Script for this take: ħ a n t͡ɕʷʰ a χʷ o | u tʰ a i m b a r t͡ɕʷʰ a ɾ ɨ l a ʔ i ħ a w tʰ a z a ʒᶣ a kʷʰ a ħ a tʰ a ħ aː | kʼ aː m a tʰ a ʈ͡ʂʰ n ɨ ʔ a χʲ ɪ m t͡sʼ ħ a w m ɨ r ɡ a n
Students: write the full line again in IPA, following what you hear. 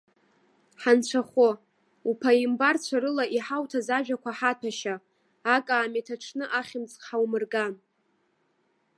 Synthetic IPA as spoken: ħ a n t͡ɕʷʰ a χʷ o | u pʰ a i m b a r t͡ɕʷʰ a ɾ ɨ l a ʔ i ħ a w tʰ a z a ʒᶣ a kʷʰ a ħ a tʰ a ʃ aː | kʼ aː m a tʰ a ʈ͡ʂʰ n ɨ ʔ a χʲ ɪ m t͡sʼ ħ a w m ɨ r ɡ a n